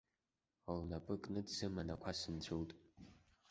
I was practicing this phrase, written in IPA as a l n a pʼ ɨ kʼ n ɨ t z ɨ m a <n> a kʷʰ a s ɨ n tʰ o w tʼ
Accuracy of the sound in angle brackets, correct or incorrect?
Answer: correct